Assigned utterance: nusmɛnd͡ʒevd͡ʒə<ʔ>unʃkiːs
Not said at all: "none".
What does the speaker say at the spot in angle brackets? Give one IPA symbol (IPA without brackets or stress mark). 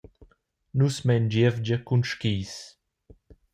k